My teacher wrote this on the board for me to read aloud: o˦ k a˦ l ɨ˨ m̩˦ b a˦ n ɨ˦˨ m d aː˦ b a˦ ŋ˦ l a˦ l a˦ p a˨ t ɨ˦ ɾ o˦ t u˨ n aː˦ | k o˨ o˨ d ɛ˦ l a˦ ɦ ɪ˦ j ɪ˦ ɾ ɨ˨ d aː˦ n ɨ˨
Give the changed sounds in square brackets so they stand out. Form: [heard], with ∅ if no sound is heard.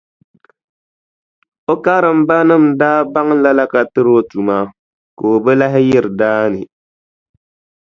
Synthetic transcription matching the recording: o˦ k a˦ [ɾ] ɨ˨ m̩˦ b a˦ n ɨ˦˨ m d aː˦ b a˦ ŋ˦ l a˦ l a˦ [k] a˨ t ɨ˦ ɾ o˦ t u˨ [m] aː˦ | k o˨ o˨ [b] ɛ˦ l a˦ ɦ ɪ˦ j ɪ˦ ɾ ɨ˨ d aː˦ n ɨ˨